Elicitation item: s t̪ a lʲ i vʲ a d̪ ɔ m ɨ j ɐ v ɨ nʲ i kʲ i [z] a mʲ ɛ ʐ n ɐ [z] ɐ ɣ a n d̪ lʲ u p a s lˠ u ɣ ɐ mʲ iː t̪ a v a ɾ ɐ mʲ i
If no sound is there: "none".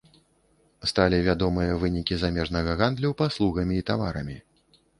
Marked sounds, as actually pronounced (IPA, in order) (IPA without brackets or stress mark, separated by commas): z, ɣ